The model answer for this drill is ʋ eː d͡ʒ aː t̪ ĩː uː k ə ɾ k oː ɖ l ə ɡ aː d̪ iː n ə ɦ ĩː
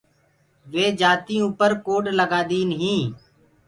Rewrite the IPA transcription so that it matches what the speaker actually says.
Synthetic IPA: ʋ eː d͡ʒ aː t̪ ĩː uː p ə ɾ k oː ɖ l ə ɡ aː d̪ iː n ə ɦ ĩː

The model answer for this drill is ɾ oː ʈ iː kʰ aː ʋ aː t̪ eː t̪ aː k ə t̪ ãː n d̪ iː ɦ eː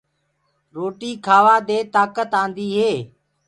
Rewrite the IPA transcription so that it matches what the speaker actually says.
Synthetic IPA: ɾ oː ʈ iː kʰ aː ʋ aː d̪ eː t̪ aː k ə t̪ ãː n d̪ iː ɦ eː

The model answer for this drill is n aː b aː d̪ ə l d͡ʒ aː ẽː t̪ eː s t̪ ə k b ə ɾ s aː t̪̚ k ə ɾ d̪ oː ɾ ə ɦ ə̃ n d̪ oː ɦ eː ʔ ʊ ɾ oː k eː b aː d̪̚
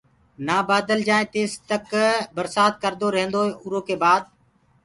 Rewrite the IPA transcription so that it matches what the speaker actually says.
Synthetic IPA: n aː b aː d̪ ə l d͡ʒ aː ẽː t̪ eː s t̪ ə k b ə ɾ s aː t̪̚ k ə ɾ d̪ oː ɾ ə ɦ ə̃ n d̪ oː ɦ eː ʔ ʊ ɾ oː k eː b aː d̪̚

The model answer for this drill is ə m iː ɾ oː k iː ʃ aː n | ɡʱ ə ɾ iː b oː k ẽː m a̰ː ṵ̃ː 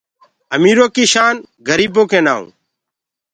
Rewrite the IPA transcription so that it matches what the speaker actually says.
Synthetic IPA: ə m iː ɾ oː k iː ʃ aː n | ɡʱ ə ɾ iː b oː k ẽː n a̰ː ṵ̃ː

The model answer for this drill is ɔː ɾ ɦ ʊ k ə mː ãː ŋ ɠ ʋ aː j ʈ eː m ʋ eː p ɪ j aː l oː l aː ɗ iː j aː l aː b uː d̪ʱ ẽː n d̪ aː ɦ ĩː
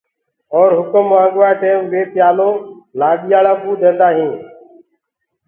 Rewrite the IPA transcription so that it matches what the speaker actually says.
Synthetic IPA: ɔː ɾ ɦ ʊ k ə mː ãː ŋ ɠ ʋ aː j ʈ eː m ʋ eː p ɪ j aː l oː l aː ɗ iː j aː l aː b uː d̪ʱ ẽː n d̪ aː ɦ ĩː

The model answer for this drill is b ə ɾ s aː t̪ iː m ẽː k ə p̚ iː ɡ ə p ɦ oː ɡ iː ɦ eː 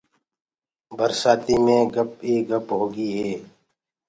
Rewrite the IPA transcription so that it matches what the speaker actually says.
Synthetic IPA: b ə ɾ s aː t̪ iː m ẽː ɡ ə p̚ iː ɡ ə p ɦ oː ɡ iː ɦ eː

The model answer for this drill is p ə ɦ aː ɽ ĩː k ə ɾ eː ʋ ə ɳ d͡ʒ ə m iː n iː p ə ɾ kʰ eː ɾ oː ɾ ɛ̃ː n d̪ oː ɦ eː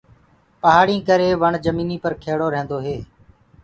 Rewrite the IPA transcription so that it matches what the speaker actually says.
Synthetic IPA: p ə ɦ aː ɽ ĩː k ə ɾ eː ʋ ə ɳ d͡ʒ ə m iː n iː p ə ɾ kʰ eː ɽ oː ɾ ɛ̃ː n d̪ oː ɦ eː

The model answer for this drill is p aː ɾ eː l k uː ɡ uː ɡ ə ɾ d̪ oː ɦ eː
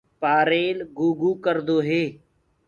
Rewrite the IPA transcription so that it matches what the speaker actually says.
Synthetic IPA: p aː ɾ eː l ɡ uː ɡ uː k ə ɾ d̪ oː ɦ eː

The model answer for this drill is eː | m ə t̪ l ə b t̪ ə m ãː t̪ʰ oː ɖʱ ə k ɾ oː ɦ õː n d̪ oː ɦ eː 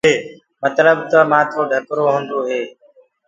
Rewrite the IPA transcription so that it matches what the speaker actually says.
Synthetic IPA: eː | m ə t̪ l ə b t̪ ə m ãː t̪ʰ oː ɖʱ ə k ɾ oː ɦ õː n d̪ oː ɦ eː

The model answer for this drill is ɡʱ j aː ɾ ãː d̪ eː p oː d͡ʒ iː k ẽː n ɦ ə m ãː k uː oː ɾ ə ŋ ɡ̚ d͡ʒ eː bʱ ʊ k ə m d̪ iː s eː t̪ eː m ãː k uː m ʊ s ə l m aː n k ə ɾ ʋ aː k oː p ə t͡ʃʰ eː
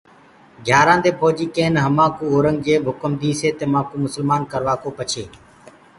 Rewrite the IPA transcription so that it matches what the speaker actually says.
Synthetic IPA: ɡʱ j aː ɾ ãː d̪ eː p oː d͡ʒ iː k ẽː n ɦ ə m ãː k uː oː ɾ ə ŋ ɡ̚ d͡ʒ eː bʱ ʊ k ə m d̪ iː s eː t̪ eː m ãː k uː m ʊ s ə l m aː n k ə ɾ ʋ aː k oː p ə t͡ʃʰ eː

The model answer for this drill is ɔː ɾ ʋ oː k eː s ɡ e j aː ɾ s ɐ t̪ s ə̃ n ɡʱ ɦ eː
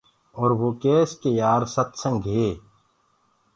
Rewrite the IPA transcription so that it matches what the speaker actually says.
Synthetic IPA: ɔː ɾ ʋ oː k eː s k e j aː ɾ s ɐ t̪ s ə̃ ŋ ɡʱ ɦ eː

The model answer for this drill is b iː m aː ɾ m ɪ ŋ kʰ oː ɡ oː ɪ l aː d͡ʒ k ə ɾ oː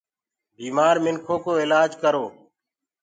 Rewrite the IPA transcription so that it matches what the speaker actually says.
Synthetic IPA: b iː m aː ɾ m ɪ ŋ kʰ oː k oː ɪ l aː d͡ʒ k ə ɾ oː

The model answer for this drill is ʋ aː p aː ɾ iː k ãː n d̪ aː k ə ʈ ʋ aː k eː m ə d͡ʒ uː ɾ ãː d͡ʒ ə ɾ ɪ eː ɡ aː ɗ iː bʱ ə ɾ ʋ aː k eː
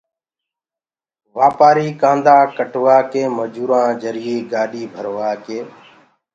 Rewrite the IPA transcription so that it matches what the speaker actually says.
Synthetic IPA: ʋ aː p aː ɾ iː k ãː n d̪ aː k ə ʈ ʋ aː k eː m ə d͡ʒ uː ɾ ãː d͡ʒ ə ɾ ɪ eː ɡ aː ɗ iː bʱ ə ɾ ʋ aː k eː

